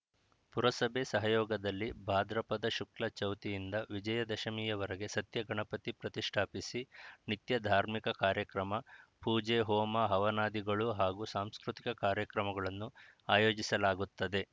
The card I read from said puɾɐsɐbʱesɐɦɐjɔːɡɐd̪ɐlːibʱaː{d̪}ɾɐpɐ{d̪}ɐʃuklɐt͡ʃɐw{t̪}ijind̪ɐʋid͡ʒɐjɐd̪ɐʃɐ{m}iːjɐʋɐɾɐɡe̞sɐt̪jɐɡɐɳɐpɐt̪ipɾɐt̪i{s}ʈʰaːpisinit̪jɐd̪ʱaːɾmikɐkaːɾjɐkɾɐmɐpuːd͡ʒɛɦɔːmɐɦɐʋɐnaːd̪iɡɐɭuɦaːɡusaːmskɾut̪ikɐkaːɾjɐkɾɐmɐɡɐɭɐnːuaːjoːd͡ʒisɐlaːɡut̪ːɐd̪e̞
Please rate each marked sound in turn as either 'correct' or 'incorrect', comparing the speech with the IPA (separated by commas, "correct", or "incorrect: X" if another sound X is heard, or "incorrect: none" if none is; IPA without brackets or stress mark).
correct, correct, correct, correct, incorrect: ʂ